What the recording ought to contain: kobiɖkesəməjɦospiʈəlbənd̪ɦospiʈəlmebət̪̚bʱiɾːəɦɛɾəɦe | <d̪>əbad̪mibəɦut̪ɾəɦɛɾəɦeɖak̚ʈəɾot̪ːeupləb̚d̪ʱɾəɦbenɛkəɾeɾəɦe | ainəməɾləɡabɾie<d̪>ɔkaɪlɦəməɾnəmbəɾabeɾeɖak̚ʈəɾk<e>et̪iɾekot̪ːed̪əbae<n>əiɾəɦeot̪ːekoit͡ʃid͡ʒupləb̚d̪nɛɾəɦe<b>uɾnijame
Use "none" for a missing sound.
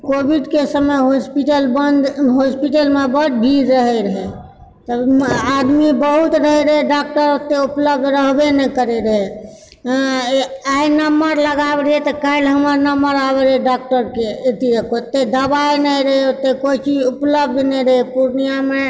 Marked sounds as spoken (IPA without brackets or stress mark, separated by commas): t̪, t̪, e, n, p